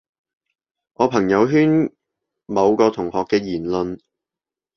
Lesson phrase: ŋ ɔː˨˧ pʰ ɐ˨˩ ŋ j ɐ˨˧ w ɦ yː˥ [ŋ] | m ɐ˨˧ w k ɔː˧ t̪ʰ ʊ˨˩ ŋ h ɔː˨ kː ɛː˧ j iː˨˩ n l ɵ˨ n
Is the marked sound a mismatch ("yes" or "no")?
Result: yes